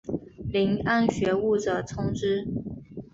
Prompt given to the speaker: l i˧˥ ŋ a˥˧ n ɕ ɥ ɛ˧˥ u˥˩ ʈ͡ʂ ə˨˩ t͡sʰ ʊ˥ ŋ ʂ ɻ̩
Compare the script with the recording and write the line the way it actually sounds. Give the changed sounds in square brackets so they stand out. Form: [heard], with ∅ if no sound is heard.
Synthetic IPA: l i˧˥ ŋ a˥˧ n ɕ ɥ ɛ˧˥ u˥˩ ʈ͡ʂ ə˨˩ t͡sʰ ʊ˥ ŋ [ʈ͡ʂ] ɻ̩

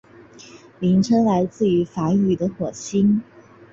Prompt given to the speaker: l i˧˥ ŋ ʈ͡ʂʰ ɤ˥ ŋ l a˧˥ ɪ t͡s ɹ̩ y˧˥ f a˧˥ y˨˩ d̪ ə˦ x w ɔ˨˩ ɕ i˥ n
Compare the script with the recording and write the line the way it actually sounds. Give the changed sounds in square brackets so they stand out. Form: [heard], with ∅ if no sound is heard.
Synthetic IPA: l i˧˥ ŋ ʈ͡ʂʰ ɤ˥ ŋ l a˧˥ ɪ t͡s ɹ̩ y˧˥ f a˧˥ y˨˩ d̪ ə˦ x w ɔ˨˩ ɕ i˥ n

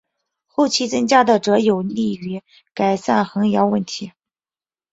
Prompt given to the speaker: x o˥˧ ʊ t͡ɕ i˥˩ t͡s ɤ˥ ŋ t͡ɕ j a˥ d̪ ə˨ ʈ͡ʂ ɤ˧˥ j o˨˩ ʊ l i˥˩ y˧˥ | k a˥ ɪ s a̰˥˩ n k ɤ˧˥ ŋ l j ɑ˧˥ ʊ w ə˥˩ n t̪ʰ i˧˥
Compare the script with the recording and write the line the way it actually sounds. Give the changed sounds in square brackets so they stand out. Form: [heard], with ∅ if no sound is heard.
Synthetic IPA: x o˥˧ ʊ [t͡ɕʰ] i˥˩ t͡s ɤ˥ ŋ t͡ɕ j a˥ d̪ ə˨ ʈ͡ʂ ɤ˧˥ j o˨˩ ʊ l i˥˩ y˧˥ | k [a˨˩] ɪ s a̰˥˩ n [x] ɤ˧˥ ŋ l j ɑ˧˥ ʊ w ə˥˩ n t̪ʰ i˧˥

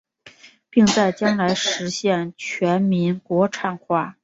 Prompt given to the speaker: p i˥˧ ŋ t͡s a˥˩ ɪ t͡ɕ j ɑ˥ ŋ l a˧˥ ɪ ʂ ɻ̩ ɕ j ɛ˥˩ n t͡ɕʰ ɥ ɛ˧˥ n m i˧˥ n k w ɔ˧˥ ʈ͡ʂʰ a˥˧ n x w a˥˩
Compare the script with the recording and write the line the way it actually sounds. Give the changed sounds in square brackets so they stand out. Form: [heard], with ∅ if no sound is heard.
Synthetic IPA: p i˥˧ ŋ t͡s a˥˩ ɪ t͡ɕ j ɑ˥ ŋ l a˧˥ ɪ ʂ ɻ̩ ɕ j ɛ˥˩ n t͡ɕʰ ɥ ɛ˧˥ n m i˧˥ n k w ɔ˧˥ ʈ͡ʂʰ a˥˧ n x w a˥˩

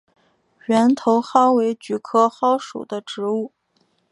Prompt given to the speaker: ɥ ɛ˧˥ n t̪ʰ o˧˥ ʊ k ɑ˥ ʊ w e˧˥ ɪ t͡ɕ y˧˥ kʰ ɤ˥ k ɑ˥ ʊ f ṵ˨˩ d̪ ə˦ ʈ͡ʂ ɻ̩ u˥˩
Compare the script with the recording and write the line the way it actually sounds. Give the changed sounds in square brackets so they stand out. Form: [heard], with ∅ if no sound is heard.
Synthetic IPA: ɥ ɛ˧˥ n t̪ʰ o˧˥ ʊ [x] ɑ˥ ʊ w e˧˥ ɪ t͡ɕ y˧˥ kʰ ɤ˥ [x] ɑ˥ ʊ [ʂ] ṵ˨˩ d̪ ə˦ ʈ͡ʂ ɻ̩ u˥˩

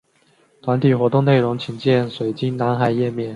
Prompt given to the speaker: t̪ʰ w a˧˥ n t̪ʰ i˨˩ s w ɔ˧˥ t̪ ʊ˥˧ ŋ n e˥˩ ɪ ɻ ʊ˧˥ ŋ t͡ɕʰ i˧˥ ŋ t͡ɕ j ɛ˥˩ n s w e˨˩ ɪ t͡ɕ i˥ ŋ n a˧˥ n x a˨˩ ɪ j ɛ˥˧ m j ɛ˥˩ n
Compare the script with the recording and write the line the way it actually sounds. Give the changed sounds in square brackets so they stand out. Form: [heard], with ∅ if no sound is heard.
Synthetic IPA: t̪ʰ w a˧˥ n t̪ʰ i˨˩ [x] w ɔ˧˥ t̪ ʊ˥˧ ŋ n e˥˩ ɪ ɻ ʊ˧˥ ŋ t͡ɕʰ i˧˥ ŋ t͡ɕ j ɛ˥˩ n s w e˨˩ ɪ t͡ɕ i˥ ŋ n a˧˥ n x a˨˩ ɪ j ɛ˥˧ m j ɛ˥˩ n

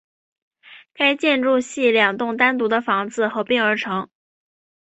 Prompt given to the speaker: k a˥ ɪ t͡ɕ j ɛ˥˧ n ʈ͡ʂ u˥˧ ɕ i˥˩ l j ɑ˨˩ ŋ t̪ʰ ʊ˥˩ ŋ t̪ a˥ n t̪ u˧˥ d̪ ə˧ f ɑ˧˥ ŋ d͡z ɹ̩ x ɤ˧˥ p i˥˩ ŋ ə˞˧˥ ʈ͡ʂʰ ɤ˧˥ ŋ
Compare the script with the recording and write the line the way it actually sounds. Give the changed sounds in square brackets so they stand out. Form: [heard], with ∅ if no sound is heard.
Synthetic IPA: k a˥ ɪ t͡ɕ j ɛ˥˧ n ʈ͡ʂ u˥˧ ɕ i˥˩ l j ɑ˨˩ ŋ [t̪] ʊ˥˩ ŋ t̪ a˥ n t̪ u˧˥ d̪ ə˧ f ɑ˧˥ ŋ d͡z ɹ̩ x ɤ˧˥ p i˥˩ ŋ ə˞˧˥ ʈ͡ʂʰ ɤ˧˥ ŋ

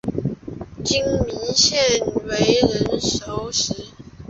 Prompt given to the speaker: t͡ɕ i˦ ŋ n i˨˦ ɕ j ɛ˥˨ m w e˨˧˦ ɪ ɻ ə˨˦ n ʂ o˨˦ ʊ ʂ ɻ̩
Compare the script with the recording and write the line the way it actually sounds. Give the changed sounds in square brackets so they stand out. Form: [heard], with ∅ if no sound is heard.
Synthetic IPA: t͡ɕ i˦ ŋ [m] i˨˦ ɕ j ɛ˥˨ [n] w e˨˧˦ ɪ ɻ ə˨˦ n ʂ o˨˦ ʊ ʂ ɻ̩

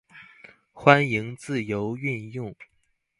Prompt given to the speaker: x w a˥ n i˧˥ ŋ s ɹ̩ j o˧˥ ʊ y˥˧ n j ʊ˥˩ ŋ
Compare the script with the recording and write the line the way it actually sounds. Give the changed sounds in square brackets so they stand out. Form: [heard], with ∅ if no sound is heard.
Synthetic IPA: x w a˥ n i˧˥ ŋ [t͡s] ɹ̩ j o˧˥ ʊ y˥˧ n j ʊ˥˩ ŋ

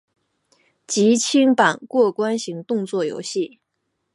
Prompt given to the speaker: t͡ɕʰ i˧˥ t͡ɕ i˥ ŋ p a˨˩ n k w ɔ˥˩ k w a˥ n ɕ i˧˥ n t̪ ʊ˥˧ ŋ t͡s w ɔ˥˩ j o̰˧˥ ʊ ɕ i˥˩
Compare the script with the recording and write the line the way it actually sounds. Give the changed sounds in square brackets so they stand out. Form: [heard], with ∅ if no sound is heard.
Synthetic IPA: [t͡ɕ] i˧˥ [t͡ɕʰ] i˥ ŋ p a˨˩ n k w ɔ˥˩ k w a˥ n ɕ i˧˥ [ŋ] t̪ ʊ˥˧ ŋ t͡s w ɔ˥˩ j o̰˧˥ ʊ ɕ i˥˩

